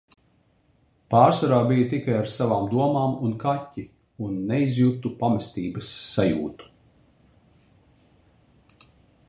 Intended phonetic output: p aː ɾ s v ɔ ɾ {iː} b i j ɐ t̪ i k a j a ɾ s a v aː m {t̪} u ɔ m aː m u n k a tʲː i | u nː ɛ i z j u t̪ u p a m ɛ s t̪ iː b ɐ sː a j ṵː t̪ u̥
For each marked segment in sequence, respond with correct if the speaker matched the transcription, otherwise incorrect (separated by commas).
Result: incorrect, incorrect